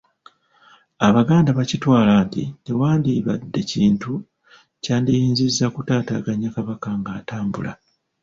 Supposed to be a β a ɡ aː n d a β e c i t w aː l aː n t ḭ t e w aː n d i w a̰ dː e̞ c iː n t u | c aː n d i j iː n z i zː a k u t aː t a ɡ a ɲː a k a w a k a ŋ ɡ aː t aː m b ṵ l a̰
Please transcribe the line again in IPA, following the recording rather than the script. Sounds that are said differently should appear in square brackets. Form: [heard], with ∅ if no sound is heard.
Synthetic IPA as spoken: a β a ɡ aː n d a β [a] c i t w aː l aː n t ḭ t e w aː n d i [β] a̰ dː e̞ c iː n t u | c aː n d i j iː n z i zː a k u t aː t a ɡ a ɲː a k a [β] a k a ŋ ɡ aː t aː m b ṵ l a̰